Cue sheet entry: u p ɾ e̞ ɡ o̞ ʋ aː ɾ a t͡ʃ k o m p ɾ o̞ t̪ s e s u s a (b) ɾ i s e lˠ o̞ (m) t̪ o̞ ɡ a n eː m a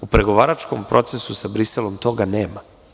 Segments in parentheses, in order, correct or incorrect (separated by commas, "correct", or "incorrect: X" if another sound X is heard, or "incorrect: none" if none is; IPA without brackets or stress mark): correct, correct